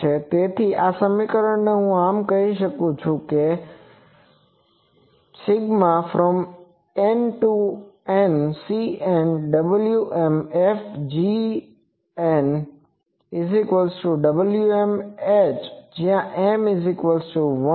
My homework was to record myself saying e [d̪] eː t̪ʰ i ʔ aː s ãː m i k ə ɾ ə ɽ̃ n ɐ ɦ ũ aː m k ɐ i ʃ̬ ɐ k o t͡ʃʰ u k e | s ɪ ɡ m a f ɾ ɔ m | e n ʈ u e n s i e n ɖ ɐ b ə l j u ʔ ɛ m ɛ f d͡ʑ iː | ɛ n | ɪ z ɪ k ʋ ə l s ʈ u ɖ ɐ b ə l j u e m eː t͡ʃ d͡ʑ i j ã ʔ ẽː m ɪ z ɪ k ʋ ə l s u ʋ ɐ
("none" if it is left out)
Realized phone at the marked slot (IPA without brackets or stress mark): t̪